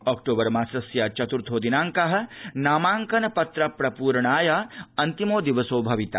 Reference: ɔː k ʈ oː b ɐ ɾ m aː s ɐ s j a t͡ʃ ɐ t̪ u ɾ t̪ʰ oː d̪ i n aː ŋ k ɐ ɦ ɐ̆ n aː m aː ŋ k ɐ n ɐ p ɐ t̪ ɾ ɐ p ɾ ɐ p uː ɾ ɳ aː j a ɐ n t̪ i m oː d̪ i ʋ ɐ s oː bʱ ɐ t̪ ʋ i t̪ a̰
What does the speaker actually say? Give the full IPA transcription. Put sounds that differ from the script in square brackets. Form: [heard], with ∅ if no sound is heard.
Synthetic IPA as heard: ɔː k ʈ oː b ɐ ɾ m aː s ɐ s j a t͡ʃ ɐ t̪ u ɾ t̪ʰ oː d̪ i n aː ŋ k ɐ ɦ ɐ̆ n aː m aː ŋ k ɐ n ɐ p ɐ t̪ ɾ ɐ p ɾ ɐ p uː ɾ ɳ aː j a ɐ n t̪ i m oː d̪ i ʋ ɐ s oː bʱ ɐ [∅] ʋ i t̪ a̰